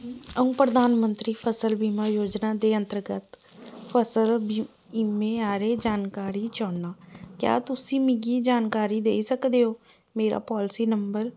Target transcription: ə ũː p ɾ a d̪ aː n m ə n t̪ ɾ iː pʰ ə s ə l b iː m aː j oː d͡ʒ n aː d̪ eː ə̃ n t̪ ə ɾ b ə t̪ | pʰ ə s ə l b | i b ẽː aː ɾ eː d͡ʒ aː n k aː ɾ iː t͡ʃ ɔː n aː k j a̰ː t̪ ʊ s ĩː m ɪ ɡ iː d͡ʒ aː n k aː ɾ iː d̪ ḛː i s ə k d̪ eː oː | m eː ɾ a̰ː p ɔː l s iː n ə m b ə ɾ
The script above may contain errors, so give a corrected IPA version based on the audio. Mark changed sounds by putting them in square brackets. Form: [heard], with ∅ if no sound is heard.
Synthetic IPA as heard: ə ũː p ɾ [ə] d̪ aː n m ə n t̪ ɾ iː pʰ ə s ə l b iː m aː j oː d͡ʒ n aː d̪ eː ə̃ n t̪ ə ɾ [ɡ] ə t̪ | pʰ ə s ə l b | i [m] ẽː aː ɾ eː d͡ʒ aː n k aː ɾ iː t͡ʃ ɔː n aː k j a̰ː t̪ ʊ s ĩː m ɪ ɡ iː d͡ʒ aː n k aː ɾ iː d̪ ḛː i s ə k d̪ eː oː | m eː ɾ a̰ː p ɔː l s iː n ə m b ə ɾ

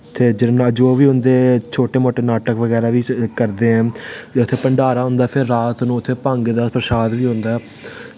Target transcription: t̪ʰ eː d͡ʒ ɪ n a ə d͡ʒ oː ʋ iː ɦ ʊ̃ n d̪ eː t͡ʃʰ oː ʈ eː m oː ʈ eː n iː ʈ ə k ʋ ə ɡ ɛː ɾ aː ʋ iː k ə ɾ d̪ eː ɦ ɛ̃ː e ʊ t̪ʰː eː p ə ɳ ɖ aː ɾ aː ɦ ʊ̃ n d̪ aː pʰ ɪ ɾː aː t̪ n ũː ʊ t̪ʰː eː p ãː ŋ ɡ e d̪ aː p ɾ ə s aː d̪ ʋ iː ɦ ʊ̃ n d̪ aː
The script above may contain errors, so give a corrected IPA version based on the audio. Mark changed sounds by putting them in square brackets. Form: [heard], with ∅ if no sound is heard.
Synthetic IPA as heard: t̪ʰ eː d͡ʒ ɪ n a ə d͡ʒ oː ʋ iː ɦ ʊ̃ n d̪ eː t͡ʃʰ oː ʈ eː m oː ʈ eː n [aː] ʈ ə k ʋ ə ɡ ɛː ɾ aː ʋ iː k ə ɾ d̪ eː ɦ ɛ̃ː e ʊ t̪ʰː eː p ə ɳ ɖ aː ɾ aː ɦ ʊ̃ n d̪ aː pʰ ɪ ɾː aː t̪ n ũː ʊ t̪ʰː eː p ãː ŋ ɡ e d̪ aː p ɾ ə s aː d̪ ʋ iː ɦ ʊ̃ n d̪ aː

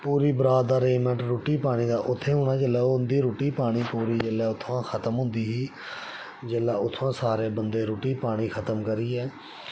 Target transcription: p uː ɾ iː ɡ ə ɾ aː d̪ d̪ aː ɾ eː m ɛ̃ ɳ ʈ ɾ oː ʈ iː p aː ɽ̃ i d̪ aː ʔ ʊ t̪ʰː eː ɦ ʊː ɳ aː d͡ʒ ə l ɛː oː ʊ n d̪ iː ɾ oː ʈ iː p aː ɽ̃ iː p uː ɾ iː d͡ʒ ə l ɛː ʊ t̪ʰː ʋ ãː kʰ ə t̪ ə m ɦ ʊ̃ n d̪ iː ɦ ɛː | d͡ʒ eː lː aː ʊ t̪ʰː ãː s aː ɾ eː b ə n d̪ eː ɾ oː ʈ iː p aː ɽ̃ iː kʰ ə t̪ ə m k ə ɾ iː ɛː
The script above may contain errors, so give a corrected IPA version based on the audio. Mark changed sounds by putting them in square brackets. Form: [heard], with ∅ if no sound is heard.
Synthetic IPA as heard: p uː ɾ iː [b] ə ɾ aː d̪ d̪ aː ɾ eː m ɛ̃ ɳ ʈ ɾ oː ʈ iː p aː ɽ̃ [iː] d̪ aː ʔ ʊ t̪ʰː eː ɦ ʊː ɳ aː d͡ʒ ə l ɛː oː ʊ n d̪ iː ɾ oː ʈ iː p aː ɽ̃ iː p uː ɾ iː d͡ʒ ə l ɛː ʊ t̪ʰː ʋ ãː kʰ ə t̪ ə m ɦ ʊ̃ n d̪ iː ɦ [iː] | d͡ʒ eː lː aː ʊ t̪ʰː ãː s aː ɾ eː b ə n d̪ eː ɾ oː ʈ iː p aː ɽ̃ iː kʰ ə t̪ ə m k ə ɾ iː ɛː

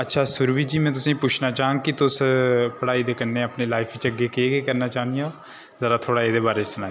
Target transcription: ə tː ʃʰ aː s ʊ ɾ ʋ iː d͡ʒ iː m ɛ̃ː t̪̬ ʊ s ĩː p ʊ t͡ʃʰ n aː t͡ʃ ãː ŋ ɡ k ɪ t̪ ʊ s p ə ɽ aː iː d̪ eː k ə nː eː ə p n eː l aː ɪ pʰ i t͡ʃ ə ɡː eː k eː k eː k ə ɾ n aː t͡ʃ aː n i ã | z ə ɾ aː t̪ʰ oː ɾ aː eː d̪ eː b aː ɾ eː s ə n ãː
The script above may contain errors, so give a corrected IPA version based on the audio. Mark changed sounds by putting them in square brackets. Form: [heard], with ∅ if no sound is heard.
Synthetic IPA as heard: ə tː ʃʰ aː s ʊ ɾ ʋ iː d͡ʒ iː m ɛ̃ː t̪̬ ʊ s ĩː p ʊ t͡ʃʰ n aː t͡ʃ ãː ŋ ɡ k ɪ t̪ ʊ s p ə ɽ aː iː d̪ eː k ə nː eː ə p n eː l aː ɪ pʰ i t͡ʃ ə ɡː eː k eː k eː k ə ɾ n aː t͡ʃ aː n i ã | z ə ɾ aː t̪ʰ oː [ɽ] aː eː d̪ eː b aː ɾ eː s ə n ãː

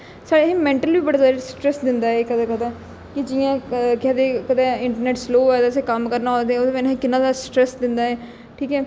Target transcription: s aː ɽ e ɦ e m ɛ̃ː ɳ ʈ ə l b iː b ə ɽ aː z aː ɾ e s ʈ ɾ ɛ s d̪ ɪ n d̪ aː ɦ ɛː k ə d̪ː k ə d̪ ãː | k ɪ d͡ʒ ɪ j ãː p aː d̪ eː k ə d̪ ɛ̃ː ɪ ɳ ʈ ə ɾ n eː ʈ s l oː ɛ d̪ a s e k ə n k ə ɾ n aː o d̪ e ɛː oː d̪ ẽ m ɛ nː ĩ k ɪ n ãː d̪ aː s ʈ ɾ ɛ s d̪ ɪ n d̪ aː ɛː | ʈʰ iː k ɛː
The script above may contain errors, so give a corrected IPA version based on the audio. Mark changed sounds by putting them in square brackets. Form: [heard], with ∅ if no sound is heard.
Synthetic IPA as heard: s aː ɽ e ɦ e m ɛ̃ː ɳ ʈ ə l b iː b ə ɽ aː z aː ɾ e s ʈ ɾ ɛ s d̪ ɪ n d̪ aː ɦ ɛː k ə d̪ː k ə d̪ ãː | k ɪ d͡ʒ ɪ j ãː [k] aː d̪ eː k ə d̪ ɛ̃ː ɪ ɳ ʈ ə ɾ n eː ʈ s l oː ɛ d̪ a s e k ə [m] k ə ɾ n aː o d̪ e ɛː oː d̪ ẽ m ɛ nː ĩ k ɪ n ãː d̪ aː s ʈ ɾ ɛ s d̪ ɪ n d̪ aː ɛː | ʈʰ iː k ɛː

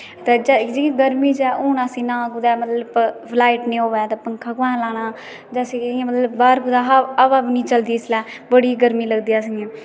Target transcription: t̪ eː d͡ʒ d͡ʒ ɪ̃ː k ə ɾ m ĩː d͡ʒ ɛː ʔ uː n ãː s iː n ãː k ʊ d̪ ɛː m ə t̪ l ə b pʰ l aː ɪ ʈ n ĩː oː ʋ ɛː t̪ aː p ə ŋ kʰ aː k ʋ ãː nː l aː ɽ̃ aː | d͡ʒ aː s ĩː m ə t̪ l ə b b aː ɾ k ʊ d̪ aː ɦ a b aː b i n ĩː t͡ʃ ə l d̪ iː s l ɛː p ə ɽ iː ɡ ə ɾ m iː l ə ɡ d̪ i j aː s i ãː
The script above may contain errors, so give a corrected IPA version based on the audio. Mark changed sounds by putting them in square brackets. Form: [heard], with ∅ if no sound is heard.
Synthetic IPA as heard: t̪ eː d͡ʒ d͡ʒ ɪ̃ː [ɡ] ə ɾ m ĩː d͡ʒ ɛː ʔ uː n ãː s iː n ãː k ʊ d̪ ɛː m ə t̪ l ə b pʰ l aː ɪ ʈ n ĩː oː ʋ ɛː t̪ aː p ə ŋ kʰ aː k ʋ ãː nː l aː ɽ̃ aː | d͡ʒ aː s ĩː m ə t̪ l ə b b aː ɾ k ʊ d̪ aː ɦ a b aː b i n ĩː t͡ʃ ə l d̪ iː s l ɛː [b] ə ɽ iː ɡ ə ɾ m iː l ə ɡ d̪ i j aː s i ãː

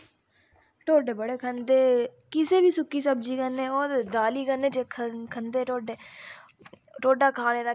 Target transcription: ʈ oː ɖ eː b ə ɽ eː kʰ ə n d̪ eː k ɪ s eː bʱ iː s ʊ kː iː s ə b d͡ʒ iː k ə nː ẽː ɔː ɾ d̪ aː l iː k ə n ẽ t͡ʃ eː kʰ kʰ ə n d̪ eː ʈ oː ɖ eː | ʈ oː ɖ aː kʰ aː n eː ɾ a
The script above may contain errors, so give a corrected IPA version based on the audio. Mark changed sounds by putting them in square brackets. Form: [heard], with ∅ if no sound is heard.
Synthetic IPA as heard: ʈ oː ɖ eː b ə ɽ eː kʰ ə n d̪ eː k ɪ s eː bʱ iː s ʊ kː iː s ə b d͡ʒ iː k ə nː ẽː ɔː ɾ d̪ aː l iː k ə n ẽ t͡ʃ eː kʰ kʰ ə n d̪ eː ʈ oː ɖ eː | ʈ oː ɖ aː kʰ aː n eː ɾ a

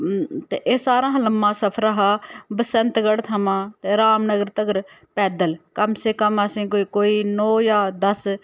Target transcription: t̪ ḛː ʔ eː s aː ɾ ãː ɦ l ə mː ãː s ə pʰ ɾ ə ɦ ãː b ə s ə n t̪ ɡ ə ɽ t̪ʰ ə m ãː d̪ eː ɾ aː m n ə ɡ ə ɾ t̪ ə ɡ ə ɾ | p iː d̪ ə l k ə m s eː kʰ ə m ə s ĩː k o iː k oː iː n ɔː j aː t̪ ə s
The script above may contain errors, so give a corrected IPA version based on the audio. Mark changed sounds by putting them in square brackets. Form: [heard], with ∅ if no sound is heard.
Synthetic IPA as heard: t̪ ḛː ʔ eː s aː ɾ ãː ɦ l ə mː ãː s ə pʰ ɾ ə ɦ [aː] b ə s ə n t̪ ɡ ə ɽ t̪ʰ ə m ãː [t̪] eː ɾ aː m n ə ɡ ə ɾ t̪ ə ɡ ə ɾ | p [ɛː] d̪ ə l k ə m s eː [k] ə m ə s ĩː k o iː k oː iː n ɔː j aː [d̪] ə s

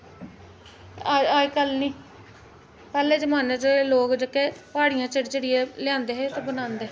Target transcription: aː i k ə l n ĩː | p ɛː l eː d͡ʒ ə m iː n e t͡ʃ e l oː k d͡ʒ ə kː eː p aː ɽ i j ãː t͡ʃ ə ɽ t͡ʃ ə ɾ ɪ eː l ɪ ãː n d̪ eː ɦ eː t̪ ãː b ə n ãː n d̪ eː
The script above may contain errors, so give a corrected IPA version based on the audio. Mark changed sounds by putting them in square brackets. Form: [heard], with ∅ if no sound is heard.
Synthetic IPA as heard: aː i k ə l n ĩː | p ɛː l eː d͡ʒ ə m [aː] n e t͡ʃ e l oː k d͡ʒ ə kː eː p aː ɽ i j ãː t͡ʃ ə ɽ t͡ʃ ə [ɽ] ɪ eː l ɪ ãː n d̪ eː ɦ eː t̪ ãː b ə n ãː n d̪ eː

